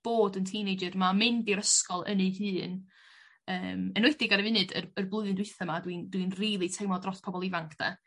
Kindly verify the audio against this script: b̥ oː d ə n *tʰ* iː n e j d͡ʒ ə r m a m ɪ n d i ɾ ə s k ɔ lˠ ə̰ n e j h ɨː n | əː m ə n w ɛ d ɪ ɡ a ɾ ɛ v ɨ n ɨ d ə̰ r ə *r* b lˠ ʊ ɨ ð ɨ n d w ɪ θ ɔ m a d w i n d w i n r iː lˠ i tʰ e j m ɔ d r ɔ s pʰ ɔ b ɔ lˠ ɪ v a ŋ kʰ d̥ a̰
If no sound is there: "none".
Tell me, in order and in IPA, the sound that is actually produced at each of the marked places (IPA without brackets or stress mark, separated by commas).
tʰ, r